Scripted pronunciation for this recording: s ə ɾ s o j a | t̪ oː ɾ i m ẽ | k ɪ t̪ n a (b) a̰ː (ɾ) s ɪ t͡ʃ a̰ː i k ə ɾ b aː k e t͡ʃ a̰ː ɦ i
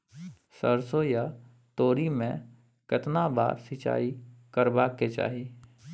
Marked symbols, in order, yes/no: yes, yes

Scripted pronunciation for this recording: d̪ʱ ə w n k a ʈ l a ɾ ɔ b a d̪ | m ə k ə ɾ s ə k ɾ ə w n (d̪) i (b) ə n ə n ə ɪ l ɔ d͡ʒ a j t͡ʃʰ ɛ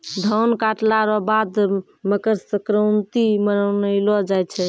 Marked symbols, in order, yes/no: no, no

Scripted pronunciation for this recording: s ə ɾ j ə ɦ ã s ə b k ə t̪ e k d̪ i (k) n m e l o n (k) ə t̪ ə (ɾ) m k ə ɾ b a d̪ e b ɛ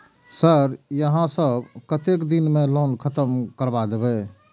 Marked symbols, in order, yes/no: no, no, no

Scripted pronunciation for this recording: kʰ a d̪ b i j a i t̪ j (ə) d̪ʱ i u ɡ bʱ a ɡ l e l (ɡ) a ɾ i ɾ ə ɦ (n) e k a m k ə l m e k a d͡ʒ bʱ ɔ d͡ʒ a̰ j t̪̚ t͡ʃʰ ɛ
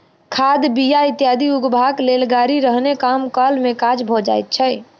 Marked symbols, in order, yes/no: no, yes, yes

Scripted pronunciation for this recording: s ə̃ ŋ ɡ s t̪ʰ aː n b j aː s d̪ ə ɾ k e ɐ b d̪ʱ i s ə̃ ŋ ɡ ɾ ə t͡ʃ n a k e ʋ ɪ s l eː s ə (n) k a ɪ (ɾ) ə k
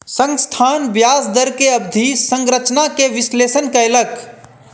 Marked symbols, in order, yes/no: yes, no

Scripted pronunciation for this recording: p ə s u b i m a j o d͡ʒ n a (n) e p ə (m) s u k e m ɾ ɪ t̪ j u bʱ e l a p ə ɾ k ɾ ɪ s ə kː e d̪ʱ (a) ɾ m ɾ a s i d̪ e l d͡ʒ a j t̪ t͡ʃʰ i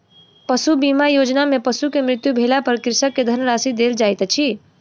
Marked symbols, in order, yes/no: no, no, no

